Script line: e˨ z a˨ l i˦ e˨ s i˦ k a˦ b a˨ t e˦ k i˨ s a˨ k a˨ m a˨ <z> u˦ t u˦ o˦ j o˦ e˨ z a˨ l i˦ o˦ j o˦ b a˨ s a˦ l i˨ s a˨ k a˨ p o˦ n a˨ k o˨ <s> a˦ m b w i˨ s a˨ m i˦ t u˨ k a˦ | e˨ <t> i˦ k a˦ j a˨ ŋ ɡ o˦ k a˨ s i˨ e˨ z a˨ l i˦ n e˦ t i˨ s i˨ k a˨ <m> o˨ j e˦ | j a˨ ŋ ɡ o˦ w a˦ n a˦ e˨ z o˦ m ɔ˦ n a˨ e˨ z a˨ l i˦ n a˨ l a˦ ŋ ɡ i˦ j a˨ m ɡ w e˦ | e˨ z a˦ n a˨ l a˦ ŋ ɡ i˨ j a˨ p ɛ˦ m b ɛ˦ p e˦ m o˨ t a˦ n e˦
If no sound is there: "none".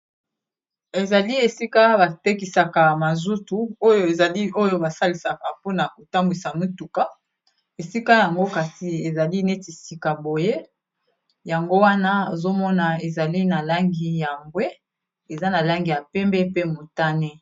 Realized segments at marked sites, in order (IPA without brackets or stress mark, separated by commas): z, t, s, b